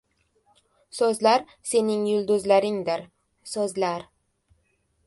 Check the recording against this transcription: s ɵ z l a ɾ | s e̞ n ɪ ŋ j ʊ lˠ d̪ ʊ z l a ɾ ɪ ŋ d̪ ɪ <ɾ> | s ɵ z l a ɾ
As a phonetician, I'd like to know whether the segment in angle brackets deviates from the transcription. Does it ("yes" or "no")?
no